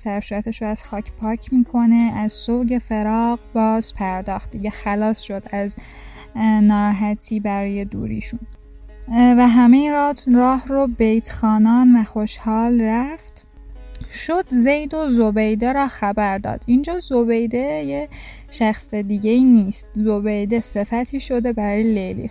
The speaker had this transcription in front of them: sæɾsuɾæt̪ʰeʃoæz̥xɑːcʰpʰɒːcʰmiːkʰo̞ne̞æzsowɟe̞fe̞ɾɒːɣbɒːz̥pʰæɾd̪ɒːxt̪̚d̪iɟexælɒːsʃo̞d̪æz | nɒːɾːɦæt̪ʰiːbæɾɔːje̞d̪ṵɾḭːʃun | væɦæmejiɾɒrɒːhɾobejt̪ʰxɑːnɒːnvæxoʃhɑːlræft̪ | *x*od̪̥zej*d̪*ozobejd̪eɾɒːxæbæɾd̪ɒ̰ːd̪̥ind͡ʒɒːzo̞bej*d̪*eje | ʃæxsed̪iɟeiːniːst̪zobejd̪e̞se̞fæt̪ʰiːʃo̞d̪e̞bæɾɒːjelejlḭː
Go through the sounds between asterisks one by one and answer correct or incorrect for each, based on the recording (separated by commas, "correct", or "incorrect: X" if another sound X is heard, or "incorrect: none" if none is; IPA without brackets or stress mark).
incorrect: ʃ, correct, correct